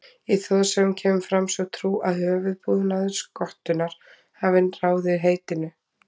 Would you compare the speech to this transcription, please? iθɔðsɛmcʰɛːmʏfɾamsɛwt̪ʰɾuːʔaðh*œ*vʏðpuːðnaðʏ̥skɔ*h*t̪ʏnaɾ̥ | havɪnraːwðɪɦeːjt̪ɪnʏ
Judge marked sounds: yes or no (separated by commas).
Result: no, yes